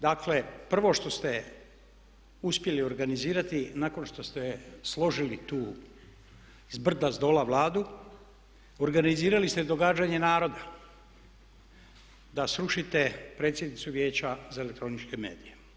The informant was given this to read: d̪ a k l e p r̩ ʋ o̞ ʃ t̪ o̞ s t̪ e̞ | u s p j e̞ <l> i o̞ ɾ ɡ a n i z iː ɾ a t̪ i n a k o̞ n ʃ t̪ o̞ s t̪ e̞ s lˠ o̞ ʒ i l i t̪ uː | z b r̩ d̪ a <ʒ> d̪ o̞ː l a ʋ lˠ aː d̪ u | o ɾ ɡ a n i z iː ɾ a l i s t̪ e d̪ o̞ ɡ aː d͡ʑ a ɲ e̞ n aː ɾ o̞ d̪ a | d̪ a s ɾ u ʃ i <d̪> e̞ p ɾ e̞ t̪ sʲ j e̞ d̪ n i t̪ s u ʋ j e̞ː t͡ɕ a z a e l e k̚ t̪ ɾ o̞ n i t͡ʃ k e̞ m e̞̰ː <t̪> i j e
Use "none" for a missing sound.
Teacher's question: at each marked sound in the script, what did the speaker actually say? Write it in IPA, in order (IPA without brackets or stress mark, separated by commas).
l, z, t̪, d̪